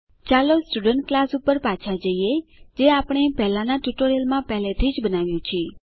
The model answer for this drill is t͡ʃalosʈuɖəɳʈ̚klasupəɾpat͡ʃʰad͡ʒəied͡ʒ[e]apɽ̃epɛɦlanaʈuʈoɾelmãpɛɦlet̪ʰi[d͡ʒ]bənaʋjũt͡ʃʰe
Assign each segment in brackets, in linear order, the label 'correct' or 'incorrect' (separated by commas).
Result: correct, correct